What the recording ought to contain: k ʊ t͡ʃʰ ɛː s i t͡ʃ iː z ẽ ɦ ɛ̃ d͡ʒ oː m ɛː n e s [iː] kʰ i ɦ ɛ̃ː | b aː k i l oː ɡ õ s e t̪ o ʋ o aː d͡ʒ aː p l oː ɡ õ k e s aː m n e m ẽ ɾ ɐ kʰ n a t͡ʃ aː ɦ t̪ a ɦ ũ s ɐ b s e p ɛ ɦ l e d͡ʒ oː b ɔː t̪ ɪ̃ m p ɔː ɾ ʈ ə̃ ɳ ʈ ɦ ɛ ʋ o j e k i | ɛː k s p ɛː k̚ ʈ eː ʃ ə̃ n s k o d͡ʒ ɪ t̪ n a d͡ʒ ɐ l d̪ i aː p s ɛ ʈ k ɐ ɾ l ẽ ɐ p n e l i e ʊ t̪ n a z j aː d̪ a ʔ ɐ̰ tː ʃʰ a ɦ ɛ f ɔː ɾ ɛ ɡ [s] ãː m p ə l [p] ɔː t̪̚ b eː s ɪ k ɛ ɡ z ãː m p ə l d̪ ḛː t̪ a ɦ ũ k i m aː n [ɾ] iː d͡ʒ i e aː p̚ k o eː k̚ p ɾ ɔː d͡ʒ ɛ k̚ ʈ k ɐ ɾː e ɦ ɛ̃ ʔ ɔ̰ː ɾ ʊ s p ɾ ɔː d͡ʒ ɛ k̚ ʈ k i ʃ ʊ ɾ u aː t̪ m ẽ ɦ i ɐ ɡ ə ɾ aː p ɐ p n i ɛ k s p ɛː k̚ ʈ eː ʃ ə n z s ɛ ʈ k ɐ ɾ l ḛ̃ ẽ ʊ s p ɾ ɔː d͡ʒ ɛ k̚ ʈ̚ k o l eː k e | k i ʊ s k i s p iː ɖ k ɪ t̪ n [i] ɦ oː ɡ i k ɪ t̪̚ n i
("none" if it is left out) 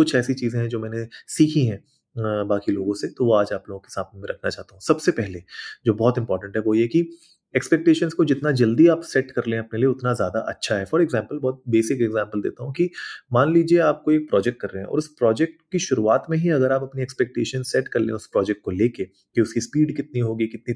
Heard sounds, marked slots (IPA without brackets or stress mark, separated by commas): iː, z, b, l, i